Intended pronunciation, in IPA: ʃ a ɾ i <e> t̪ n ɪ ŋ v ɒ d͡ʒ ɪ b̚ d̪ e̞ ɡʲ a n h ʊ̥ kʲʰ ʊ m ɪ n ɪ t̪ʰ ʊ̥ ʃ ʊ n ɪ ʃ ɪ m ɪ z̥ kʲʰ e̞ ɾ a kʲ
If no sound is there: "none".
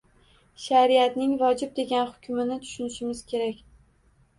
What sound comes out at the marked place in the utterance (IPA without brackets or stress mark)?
a